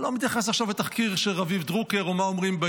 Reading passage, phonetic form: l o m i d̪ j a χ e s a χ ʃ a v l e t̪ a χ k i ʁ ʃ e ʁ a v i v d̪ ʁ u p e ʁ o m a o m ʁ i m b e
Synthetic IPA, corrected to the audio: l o m i t̪ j a χ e s a χ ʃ a v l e t̪ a χ k i ʁ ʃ e ʁ a v i v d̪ ʁ u k e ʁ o m a o m ʁ i m b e